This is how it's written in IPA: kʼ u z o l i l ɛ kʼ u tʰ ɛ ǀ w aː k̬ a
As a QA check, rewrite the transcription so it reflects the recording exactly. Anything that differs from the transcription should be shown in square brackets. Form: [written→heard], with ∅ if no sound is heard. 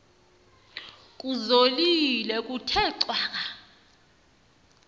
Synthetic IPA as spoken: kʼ u z o l i l ɛ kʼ u tʰ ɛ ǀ w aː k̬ a